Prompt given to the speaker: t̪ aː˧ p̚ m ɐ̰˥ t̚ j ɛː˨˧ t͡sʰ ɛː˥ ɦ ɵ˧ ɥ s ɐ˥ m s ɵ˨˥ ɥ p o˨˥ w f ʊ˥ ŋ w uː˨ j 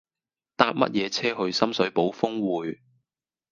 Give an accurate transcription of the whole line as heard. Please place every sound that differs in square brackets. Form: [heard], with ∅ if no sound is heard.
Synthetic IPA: t̪ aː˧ p̚ m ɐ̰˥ t̚ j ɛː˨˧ t͡sʰ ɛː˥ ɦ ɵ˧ ɥ s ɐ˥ m s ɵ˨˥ ɥ p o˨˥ w f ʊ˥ ŋ w uː˨ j